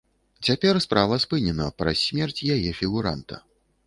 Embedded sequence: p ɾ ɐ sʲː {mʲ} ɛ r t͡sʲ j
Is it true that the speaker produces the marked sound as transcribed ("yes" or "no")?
yes